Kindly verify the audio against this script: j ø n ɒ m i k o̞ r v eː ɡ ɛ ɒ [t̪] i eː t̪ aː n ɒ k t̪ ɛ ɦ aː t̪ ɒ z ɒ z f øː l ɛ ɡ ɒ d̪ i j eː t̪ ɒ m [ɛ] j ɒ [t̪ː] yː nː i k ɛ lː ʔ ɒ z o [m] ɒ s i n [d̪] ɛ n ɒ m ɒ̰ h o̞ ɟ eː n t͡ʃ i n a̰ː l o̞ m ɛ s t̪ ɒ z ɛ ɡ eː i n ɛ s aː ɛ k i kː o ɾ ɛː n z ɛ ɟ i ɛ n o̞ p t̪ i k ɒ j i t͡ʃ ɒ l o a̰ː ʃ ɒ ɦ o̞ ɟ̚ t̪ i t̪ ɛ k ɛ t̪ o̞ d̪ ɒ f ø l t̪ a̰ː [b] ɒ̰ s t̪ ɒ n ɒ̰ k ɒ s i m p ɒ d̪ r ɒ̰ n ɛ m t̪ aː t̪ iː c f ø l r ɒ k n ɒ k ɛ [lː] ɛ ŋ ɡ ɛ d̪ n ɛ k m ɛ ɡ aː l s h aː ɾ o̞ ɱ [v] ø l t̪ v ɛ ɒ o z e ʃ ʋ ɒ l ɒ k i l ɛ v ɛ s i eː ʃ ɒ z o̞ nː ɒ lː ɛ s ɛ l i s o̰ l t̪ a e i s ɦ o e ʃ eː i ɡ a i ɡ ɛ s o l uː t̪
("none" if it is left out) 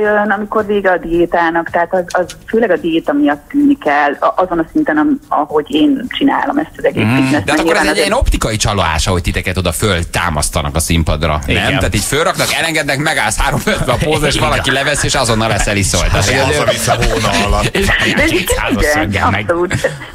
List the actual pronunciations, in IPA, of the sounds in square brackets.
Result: d̪, i, t̪ː, n, t̪, m, l, f

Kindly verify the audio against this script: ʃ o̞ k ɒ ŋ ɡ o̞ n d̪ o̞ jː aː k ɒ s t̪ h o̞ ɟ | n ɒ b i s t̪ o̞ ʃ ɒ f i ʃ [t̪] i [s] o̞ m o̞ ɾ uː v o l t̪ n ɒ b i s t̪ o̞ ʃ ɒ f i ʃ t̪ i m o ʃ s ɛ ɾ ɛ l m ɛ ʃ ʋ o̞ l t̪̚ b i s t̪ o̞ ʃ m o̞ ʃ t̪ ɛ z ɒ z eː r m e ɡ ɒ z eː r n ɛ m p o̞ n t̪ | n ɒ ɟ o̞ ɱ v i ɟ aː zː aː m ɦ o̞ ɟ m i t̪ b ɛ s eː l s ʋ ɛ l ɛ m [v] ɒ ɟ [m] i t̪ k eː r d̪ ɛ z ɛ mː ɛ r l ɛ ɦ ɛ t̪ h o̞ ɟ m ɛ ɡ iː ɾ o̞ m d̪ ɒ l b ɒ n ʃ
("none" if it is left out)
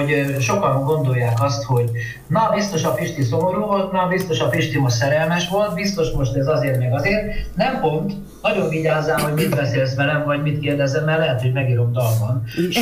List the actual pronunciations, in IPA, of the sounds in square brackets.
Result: t̪, s, v, m

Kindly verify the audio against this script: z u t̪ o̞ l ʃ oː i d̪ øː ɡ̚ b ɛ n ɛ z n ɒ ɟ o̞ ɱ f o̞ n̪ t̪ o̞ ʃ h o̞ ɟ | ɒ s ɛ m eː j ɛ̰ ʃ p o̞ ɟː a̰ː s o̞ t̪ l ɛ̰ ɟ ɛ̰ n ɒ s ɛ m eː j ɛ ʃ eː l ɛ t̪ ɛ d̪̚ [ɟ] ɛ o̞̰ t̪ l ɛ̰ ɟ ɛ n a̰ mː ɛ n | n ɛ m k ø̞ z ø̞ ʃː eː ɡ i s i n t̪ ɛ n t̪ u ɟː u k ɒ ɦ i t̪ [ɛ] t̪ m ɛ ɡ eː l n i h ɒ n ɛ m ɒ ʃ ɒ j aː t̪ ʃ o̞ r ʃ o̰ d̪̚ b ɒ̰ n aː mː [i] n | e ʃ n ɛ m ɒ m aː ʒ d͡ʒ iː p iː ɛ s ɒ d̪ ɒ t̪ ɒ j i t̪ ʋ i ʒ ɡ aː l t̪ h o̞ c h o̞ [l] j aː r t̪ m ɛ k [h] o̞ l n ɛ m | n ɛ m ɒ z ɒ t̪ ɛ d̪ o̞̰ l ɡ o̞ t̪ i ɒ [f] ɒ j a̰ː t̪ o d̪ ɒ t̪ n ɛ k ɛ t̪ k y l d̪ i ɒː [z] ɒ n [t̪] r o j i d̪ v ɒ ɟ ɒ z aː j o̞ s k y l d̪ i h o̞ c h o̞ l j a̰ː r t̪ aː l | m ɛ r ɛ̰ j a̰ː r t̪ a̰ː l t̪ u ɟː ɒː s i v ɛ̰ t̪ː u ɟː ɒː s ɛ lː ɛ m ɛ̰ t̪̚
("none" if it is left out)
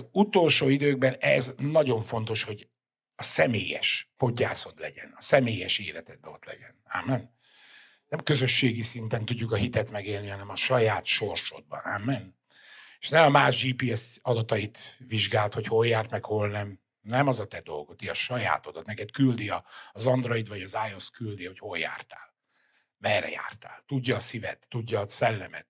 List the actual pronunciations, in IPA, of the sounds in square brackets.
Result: b, ɛ, ɛ, l, h, ʃ, z, d̪

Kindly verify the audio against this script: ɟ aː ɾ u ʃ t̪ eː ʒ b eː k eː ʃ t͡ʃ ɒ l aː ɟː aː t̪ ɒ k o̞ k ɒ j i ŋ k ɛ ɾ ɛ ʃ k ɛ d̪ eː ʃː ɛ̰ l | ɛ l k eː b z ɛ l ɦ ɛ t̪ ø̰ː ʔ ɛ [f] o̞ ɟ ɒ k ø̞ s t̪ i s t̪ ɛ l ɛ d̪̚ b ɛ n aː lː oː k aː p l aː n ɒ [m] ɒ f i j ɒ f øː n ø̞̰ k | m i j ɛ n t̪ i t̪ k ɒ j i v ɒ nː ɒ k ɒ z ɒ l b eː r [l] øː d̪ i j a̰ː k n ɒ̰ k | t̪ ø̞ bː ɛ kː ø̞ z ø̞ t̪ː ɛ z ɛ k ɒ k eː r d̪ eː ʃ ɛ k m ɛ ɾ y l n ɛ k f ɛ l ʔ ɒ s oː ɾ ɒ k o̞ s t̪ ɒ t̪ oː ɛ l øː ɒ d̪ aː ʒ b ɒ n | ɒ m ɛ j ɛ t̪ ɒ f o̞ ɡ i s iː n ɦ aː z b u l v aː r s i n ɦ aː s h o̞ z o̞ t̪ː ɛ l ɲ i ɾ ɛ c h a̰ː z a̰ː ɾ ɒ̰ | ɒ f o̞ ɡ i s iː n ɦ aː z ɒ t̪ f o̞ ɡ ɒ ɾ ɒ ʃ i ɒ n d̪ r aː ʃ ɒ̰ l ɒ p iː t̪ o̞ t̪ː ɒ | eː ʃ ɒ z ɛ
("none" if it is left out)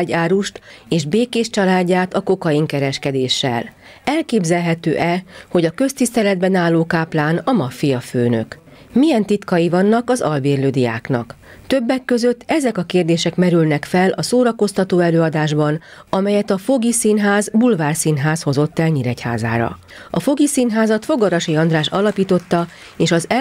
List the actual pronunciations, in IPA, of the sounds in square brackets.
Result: h, m, l

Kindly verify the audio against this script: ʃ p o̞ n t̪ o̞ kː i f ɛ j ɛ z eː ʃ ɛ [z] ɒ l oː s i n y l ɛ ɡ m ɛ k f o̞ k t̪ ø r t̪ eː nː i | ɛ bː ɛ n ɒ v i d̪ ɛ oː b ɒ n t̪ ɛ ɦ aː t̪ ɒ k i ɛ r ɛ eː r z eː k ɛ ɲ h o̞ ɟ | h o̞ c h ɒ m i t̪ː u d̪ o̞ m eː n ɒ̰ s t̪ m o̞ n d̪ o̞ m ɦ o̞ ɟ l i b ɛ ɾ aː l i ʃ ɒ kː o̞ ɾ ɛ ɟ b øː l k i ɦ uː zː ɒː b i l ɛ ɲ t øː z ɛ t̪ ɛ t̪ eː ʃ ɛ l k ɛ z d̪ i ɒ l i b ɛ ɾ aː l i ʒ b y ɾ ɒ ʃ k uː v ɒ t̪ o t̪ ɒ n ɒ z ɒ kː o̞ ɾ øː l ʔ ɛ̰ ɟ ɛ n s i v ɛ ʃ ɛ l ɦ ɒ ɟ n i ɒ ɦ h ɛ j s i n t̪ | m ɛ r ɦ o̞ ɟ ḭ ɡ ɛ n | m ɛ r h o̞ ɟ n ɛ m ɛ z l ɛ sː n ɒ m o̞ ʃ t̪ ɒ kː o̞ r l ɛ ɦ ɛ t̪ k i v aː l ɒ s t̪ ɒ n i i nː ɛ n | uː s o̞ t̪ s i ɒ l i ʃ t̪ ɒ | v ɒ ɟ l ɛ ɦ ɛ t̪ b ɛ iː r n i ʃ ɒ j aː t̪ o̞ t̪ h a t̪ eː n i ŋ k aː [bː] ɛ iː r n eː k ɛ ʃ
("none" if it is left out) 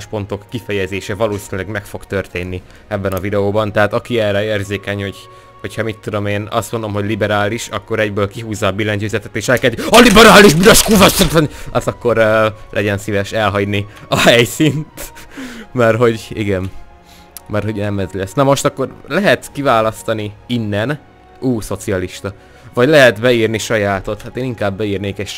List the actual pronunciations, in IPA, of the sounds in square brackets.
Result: v, bː

